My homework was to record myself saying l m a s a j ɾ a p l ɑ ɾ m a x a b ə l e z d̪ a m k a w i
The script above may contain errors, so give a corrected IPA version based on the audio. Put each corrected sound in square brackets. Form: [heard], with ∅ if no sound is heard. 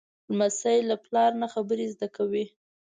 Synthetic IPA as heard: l m a s a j [l] a p l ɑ ɾ [n] a x a b ə [ɾ] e z d̪ a [∅] k a w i